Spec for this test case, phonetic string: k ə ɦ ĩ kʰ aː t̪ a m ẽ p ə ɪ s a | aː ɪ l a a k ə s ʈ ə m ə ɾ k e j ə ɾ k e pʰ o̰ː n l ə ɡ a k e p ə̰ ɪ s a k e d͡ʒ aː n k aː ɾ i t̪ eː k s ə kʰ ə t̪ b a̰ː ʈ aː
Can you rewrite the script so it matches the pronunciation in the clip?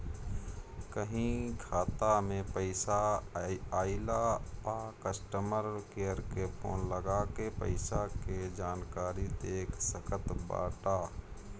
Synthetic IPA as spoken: k ə ɦ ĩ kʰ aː t̪ a m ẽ p ə ɪ s a | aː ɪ l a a k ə s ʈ ə m ə ɾ k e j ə ɾ k e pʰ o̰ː n l ə ɡ a k e p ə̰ ɪ s a k e d͡ʒ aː n k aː ɾ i t̪ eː k s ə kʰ ə t̪ b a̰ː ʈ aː